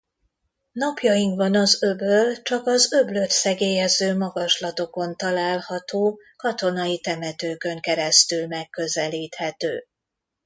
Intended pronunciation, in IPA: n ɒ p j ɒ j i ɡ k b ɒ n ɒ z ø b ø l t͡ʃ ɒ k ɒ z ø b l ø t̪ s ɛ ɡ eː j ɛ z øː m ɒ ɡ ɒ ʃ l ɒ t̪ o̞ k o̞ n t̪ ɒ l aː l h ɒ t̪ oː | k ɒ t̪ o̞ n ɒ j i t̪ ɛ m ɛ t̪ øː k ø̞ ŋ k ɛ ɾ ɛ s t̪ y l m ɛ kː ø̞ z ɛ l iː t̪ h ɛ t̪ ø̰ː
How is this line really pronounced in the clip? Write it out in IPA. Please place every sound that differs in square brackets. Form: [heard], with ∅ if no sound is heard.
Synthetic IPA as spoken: n ɒ p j ɒ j i [ŋ] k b ɒ n ɒ z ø b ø l t͡ʃ ɒ k ɒ z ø b l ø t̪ s ɛ ɡ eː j ɛ z øː m ɒ ɡ ɒ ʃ l ɒ t̪ o̞ k o̞ n t̪ ɒ l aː l h ɒ t̪ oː | k ɒ t̪ o̞ n ɒ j i t̪ ɛ m ɛ t̪ øː k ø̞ ŋ k ɛ ɾ ɛ s t̪ y l m ɛ kː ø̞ z ɛ l iː t̪ h ɛ t̪ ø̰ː